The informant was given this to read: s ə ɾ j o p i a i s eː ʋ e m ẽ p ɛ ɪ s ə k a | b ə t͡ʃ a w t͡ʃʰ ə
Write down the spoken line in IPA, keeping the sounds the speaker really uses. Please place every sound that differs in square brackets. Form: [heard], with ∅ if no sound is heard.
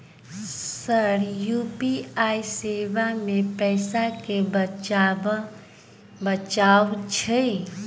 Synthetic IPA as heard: s ə ɾ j [u] p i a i s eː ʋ [a] m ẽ p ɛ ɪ s [a] k [e] | b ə t͡ʃ a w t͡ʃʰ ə